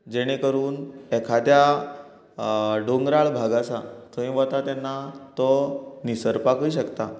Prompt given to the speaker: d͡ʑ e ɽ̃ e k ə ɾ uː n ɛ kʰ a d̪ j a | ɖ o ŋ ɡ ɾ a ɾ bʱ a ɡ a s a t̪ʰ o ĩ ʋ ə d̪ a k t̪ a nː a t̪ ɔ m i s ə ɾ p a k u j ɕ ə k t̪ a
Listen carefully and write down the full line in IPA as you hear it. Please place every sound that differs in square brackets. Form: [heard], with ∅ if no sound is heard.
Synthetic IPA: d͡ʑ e ɽ̃ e k ə ɾ uː n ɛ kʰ a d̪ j a | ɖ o ŋ ɡ ɾ a [ɭ] bʱ a ɡ a s a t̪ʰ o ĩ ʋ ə [t̪] a [∅] t̪ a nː a t̪ ɔ [n] i s ə ɾ p a k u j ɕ ə k t̪ a